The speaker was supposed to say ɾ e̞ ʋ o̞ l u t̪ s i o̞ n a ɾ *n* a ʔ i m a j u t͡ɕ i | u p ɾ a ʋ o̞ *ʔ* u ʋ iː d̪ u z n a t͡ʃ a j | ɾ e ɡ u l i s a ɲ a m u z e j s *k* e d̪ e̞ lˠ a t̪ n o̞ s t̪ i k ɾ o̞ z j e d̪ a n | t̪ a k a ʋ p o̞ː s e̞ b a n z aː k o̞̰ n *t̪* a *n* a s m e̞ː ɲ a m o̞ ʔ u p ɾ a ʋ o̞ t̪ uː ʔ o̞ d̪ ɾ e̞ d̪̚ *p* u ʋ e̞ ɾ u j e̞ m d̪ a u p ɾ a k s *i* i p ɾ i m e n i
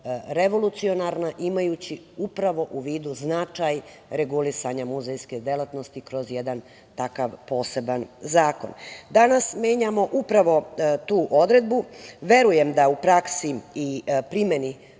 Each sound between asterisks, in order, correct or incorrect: correct, correct, correct, incorrect, correct, incorrect, correct

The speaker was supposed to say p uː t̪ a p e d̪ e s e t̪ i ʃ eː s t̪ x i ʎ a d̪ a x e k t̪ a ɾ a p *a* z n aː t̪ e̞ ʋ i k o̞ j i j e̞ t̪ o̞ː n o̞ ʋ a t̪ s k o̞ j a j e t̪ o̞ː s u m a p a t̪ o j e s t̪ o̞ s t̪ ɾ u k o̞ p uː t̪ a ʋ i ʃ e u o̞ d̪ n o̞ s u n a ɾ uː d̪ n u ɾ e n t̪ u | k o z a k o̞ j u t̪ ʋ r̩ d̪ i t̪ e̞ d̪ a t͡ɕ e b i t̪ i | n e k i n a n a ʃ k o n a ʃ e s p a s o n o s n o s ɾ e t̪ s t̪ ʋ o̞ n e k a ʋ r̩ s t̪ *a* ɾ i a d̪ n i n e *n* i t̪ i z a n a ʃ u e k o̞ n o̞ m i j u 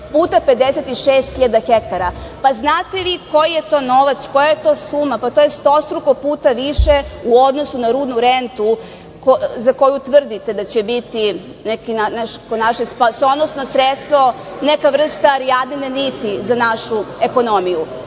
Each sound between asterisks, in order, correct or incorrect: correct, correct, correct

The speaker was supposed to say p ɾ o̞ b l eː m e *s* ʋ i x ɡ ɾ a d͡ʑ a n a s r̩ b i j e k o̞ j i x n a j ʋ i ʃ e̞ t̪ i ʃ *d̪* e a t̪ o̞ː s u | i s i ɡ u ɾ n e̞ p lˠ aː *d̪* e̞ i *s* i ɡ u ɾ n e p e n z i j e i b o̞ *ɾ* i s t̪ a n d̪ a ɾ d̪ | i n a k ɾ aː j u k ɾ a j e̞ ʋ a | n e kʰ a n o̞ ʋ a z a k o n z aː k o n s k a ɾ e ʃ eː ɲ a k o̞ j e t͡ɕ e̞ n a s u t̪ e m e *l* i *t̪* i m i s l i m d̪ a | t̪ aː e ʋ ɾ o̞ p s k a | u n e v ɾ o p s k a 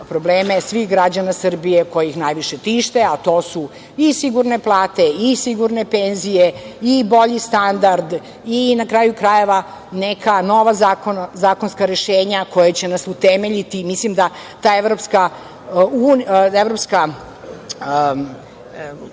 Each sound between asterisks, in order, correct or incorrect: correct, incorrect, incorrect, correct, incorrect, incorrect, correct

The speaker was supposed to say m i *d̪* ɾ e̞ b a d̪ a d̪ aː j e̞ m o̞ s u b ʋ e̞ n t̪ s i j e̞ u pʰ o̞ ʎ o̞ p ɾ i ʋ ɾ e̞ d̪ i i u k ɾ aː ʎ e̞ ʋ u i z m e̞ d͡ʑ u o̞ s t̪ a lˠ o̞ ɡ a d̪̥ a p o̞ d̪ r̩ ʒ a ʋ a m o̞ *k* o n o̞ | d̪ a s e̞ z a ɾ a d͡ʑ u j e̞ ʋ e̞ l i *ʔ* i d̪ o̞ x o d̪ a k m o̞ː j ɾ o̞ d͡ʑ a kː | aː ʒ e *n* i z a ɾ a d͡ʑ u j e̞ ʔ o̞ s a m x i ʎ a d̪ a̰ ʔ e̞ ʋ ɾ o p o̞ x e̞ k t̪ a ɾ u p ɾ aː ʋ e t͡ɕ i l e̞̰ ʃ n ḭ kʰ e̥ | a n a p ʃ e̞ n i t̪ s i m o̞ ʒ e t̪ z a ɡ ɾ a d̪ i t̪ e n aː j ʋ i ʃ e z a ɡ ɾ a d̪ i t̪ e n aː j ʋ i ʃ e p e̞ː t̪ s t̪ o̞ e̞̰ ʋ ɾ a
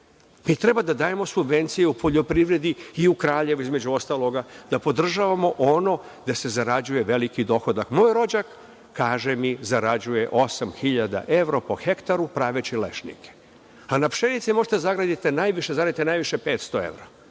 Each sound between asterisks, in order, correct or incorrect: incorrect, incorrect, incorrect, incorrect

